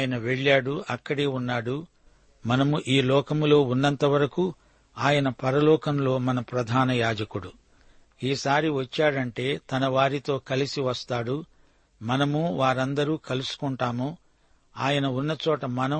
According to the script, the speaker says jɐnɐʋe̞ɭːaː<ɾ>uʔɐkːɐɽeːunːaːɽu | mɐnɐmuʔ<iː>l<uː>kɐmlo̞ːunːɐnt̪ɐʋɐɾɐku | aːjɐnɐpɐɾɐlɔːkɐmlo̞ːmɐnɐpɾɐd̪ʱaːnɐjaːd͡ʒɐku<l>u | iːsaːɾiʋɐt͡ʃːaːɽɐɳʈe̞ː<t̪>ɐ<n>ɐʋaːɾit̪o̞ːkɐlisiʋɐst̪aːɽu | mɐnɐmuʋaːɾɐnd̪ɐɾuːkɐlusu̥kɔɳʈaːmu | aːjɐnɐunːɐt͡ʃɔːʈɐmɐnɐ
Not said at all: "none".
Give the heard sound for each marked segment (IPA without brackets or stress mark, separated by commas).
ɽ, iː, ɔː, ɽ, t̪, n